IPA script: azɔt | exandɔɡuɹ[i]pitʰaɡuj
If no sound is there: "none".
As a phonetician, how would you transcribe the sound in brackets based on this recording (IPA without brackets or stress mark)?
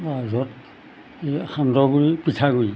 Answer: i